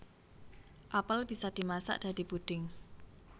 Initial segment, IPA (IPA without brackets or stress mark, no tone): ʔ